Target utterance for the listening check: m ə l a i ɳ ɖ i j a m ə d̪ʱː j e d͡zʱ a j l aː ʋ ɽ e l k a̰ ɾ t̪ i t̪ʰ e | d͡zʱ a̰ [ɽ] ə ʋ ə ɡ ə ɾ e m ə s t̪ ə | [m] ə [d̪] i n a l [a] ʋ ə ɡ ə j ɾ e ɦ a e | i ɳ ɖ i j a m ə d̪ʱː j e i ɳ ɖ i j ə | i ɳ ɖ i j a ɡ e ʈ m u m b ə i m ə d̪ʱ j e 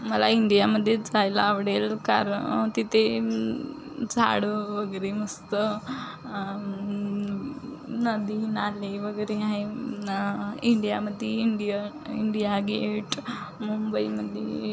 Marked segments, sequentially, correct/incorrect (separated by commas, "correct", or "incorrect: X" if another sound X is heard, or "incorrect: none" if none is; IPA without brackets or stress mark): correct, incorrect: n, correct, incorrect: e